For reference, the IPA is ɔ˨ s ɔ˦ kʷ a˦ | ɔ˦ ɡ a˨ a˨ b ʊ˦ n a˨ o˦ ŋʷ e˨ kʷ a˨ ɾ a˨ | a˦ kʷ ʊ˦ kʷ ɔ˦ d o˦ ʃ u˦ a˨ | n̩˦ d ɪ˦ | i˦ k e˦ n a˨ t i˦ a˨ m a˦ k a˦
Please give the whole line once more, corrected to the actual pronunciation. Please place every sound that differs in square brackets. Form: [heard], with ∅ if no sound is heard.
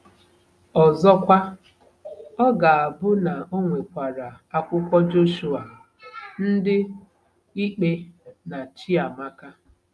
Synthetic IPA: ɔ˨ [z] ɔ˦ kʷ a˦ | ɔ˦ ɡ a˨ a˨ b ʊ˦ n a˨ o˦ ŋʷ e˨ kʷ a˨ ɾ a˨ | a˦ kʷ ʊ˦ kʷ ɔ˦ [d͡ʒ] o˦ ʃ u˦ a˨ | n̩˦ d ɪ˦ | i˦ [k͡p] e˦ n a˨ [t͡ʃ] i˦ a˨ m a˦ k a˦